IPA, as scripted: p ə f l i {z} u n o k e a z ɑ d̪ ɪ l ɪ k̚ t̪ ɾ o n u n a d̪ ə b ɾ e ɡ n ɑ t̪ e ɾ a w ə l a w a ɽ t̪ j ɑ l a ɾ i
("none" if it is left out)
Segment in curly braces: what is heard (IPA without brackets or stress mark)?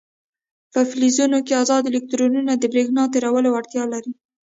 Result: z